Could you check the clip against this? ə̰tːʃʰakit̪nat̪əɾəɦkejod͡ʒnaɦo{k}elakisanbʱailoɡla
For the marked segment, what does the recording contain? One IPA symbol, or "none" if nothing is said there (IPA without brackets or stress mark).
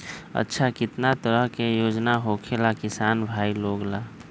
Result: kʰ